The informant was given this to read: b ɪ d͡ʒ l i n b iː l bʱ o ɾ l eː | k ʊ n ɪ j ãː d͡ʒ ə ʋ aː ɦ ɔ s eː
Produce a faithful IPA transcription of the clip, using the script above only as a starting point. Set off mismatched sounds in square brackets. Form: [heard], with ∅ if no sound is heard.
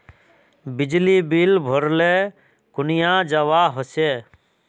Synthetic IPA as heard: b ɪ d͡ʒ l i [∅] b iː l bʱ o ɾ l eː | k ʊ n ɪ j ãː d͡ʒ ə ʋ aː ɦ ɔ s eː